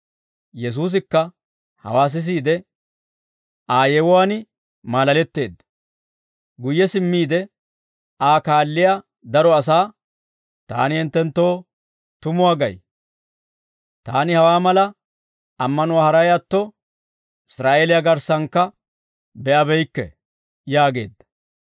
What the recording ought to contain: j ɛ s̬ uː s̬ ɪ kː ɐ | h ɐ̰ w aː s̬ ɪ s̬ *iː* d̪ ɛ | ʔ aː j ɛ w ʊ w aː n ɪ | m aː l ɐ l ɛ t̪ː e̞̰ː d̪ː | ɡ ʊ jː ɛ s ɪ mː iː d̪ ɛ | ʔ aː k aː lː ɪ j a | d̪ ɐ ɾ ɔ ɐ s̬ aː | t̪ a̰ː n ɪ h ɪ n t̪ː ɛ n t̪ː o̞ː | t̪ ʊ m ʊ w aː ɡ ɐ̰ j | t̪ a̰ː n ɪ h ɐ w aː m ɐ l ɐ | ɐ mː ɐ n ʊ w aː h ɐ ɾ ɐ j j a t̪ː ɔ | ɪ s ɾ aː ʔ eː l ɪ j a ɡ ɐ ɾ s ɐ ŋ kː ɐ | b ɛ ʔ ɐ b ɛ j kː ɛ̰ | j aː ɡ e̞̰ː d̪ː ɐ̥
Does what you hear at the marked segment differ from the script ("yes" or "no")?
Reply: no